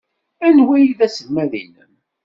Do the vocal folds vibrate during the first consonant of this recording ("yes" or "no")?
yes